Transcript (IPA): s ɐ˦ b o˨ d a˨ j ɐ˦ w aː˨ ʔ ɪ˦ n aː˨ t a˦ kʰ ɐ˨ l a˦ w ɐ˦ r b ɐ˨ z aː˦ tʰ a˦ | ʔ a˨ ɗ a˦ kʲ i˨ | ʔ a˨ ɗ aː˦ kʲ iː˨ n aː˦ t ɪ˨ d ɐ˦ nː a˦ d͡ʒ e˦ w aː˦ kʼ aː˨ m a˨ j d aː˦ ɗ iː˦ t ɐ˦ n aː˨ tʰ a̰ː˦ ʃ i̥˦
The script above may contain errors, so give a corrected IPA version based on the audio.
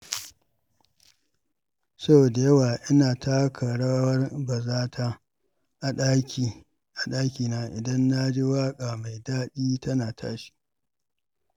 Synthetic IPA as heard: s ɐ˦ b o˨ d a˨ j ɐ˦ w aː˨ ʔ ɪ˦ n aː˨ t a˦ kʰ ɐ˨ ɽ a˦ w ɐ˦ r b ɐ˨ z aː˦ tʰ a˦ | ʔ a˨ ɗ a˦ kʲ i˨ | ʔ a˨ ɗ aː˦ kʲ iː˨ n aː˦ ʔ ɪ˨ d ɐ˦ nː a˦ d͡ʒ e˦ w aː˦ kʼ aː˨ m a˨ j d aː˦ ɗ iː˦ t ɐ˦ n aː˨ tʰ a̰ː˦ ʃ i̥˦